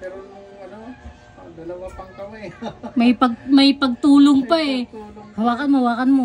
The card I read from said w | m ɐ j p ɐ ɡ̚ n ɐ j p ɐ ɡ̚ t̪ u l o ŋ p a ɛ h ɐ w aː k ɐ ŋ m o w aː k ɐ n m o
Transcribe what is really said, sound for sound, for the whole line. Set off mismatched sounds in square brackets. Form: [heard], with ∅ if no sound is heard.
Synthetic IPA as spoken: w | m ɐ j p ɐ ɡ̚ [m] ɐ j p ɐ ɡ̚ t̪ [uː] l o ŋ p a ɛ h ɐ w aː k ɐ [n] m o w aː k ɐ n m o